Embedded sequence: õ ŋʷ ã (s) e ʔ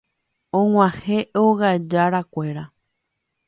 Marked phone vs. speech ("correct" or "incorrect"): incorrect